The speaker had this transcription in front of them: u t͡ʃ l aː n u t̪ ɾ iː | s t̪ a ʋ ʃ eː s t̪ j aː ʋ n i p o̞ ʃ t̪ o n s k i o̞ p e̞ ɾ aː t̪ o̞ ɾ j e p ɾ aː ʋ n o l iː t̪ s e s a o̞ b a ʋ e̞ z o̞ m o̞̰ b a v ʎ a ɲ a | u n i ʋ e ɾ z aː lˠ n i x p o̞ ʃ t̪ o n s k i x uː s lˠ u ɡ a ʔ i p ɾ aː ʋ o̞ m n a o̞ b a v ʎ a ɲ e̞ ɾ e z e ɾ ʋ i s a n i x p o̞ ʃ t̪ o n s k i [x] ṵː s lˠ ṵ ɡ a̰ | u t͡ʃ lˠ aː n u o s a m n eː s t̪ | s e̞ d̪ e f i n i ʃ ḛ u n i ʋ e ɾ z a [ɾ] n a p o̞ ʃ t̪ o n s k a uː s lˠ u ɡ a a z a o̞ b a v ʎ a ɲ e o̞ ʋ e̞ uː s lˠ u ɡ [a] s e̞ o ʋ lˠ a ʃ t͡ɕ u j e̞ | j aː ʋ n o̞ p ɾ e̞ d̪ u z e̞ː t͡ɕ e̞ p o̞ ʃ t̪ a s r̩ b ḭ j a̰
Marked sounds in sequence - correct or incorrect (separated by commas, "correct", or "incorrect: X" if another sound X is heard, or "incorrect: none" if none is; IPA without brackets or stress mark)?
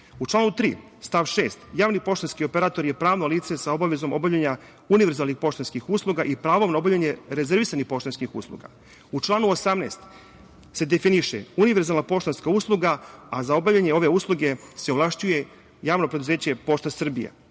correct, incorrect: l, incorrect: e